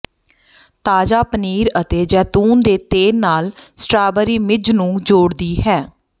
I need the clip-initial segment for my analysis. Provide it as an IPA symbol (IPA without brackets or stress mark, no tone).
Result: t̪